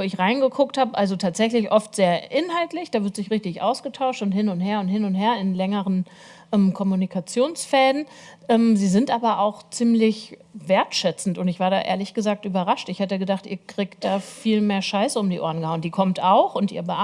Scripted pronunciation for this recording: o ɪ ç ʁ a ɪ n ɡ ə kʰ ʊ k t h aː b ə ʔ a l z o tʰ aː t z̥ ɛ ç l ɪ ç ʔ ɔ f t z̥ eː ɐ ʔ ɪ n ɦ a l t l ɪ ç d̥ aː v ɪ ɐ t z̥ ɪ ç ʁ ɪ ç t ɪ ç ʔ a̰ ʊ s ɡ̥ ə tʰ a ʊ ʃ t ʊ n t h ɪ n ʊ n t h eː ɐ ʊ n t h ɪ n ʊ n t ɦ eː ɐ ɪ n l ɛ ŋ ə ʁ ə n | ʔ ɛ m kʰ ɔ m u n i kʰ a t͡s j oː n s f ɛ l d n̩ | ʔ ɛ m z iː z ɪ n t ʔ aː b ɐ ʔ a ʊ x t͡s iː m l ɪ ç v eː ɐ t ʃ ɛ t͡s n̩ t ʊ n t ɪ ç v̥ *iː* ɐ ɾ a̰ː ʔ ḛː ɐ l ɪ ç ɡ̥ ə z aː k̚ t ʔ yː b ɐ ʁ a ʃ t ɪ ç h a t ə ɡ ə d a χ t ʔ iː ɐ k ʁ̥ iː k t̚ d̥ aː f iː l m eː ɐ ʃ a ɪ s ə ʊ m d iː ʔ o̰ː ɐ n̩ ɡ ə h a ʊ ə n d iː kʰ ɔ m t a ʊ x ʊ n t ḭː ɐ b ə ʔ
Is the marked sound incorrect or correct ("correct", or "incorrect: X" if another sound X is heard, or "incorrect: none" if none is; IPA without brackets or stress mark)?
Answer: incorrect: aː